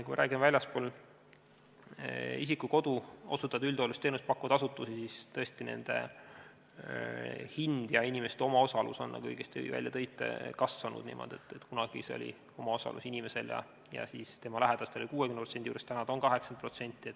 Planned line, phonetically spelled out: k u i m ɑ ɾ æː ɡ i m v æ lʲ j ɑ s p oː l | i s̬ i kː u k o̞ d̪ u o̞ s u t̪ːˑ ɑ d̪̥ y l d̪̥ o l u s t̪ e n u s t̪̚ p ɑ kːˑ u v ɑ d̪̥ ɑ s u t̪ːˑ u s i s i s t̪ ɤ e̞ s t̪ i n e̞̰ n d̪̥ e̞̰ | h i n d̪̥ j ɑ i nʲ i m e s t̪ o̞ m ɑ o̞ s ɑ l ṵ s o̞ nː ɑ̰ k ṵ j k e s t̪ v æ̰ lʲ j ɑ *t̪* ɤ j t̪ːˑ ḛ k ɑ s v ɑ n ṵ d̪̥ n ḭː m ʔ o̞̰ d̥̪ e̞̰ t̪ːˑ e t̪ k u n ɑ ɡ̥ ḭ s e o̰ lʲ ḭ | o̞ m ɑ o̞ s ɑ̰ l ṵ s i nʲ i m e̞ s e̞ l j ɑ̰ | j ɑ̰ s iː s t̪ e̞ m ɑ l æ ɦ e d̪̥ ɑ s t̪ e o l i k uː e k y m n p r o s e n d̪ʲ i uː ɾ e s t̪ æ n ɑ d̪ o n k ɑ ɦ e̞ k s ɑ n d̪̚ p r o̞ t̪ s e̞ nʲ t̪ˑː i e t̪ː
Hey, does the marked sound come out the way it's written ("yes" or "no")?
yes